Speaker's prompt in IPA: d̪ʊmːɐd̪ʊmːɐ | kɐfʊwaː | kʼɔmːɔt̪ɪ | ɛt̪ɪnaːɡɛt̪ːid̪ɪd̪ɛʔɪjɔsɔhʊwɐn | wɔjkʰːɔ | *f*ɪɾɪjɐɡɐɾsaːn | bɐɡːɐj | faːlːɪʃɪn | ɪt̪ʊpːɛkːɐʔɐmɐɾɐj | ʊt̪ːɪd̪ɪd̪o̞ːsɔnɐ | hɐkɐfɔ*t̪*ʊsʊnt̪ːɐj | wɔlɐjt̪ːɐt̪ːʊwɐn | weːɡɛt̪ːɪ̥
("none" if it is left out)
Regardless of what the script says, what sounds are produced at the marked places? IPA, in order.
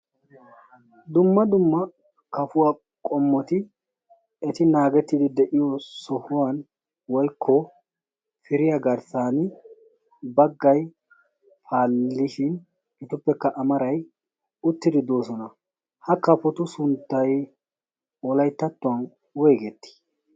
f, t̪

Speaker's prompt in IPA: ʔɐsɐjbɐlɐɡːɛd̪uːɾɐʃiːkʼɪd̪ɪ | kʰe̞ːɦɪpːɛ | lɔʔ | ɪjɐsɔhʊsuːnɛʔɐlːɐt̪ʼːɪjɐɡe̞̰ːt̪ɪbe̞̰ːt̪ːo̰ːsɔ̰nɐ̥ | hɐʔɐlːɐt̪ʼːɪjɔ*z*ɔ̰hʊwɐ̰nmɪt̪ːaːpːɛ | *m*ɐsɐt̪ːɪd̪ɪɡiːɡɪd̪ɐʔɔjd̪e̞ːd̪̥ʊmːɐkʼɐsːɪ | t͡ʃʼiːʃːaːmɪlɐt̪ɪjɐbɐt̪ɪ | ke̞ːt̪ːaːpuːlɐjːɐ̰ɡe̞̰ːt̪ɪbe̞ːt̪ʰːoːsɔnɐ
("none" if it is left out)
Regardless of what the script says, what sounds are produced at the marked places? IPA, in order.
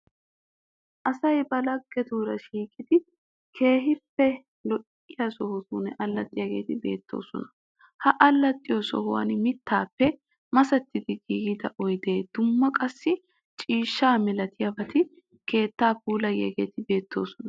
s, m

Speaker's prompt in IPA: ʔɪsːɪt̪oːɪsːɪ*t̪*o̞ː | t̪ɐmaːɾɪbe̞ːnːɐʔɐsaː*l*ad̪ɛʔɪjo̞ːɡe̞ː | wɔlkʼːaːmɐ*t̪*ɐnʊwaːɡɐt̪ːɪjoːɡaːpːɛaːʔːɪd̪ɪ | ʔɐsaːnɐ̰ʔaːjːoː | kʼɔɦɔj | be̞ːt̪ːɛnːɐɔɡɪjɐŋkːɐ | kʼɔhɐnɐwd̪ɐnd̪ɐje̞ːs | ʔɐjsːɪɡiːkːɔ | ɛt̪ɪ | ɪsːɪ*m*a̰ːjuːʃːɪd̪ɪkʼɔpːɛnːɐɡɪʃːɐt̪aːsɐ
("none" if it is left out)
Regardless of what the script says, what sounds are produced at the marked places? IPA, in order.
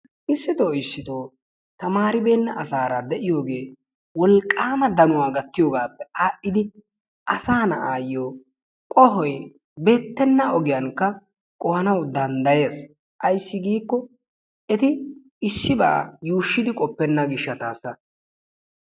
t̪, ɾ, d̪, b

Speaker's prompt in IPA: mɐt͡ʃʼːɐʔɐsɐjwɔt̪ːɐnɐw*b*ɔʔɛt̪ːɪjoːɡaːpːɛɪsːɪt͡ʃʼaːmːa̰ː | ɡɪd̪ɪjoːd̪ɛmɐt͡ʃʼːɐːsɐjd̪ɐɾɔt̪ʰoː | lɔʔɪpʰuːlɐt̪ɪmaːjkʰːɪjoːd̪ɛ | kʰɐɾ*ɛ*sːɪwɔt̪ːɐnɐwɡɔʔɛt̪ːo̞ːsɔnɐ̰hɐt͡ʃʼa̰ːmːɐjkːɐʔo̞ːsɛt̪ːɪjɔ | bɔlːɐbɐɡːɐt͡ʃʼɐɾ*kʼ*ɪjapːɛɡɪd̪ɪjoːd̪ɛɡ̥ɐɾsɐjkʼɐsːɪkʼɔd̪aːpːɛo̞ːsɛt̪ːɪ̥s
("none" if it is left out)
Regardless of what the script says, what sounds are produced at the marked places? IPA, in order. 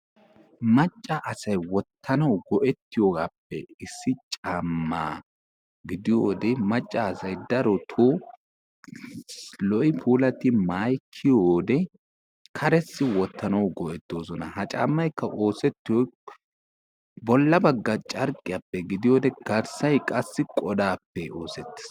ɡ, ɛ, kʼ

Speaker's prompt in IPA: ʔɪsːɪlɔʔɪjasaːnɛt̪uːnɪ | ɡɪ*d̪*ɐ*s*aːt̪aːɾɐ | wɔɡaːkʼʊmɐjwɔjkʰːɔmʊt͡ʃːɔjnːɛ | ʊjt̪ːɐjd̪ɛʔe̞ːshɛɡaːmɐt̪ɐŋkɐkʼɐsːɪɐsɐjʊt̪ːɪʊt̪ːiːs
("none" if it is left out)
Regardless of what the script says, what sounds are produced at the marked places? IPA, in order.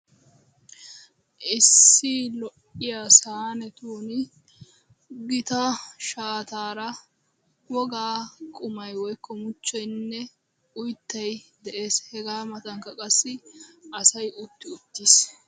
t̪, ʃ

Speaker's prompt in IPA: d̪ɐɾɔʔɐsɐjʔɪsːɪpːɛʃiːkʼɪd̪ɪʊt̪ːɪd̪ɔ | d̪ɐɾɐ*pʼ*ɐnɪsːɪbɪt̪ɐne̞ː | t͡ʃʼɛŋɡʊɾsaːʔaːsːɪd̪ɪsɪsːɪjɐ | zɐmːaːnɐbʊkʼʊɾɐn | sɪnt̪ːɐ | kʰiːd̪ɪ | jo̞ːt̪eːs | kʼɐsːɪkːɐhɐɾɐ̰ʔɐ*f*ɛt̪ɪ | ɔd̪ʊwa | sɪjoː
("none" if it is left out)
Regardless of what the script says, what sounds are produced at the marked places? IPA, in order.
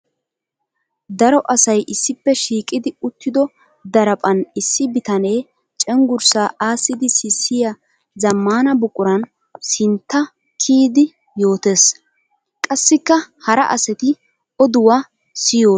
pʼ, s

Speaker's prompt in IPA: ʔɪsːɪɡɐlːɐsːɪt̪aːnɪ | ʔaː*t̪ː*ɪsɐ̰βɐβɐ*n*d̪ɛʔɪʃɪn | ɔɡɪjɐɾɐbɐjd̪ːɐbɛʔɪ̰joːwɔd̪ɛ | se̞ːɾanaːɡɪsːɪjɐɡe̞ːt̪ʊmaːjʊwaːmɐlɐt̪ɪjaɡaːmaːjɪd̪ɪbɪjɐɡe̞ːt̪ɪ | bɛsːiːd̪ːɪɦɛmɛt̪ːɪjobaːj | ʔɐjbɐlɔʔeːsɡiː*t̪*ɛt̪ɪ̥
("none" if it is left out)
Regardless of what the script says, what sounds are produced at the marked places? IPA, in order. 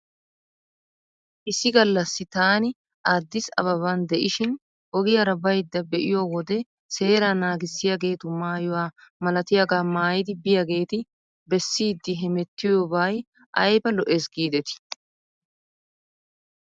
d̪ː, n, d̪

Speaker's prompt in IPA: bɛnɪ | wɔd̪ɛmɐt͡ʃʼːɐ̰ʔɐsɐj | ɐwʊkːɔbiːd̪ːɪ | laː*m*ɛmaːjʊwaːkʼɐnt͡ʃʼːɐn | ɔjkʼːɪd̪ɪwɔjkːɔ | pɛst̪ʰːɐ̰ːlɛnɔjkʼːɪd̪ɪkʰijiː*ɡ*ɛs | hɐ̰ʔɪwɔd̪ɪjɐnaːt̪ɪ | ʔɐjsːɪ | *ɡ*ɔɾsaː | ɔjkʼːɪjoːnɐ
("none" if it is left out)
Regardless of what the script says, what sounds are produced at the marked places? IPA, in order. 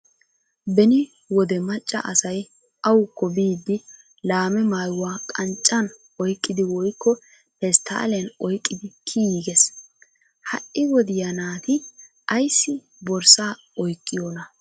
m, ɡ, b

